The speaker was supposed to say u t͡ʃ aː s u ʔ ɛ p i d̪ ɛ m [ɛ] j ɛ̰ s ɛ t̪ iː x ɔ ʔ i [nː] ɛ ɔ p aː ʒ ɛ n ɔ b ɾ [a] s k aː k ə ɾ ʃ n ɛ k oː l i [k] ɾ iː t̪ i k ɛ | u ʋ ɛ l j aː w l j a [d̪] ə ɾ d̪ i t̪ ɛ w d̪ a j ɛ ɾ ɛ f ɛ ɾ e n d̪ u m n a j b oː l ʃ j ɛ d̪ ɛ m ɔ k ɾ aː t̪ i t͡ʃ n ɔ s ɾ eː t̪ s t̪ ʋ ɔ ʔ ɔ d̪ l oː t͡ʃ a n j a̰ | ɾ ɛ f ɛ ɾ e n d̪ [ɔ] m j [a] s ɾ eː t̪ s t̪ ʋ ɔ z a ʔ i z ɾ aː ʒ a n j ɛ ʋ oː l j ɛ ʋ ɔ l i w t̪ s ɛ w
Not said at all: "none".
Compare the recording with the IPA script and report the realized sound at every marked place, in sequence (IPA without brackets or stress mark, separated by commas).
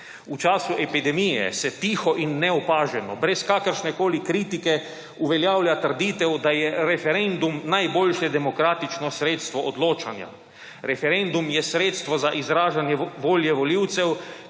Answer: i, nː, ɛ, k, t̪, u, ɛ